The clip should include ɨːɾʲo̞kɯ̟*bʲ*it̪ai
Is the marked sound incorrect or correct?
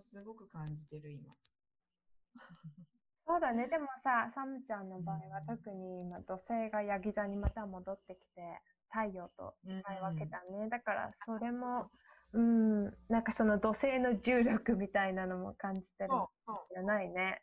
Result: incorrect